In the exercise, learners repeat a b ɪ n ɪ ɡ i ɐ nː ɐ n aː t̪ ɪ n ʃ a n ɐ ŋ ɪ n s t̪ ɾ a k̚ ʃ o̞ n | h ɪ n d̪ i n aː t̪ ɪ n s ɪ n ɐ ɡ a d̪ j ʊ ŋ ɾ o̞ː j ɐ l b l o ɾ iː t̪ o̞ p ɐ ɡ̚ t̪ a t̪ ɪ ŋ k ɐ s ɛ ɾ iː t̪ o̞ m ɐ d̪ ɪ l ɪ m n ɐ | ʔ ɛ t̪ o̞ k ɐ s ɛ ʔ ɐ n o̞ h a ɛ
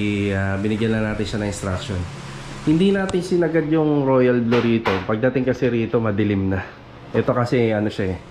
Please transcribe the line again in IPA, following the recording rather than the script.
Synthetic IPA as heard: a b ɪ n ɪ ɡ j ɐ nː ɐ n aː t̪ ɪ n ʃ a n ɐ ŋ ɪ n s t̪ ɾ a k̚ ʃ o̞ n | h ɪ n d̪ i n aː t̪ ɪ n s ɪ n ɐ ɡ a d̪ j ʊ ŋ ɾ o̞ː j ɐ l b l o ɾ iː t̪ o̞ p ɐ ɡ̚ d̪ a t̪ ɪ ŋ k ɐ s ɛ ɾ iː t̪ o̞ m ɐ d̪ ɪ l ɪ m n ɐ | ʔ ɛ t̪ o̞ k ɐ s ɛ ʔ ɐ n o̞ ʃ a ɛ